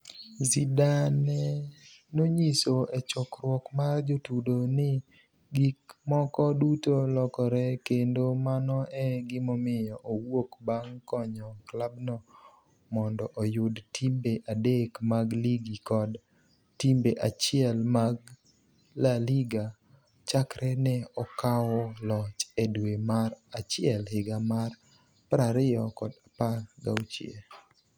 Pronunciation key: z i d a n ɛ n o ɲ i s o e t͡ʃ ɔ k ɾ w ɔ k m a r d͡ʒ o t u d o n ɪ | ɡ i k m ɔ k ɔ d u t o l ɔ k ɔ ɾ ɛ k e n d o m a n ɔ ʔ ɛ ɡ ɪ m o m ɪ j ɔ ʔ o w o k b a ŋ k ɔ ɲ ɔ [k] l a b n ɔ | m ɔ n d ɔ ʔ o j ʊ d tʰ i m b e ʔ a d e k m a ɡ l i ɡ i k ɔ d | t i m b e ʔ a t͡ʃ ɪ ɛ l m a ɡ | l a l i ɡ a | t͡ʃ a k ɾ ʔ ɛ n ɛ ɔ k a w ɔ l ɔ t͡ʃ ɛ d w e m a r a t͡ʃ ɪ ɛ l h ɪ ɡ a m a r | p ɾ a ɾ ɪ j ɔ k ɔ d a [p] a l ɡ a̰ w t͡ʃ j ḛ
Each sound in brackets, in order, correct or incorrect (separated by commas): correct, correct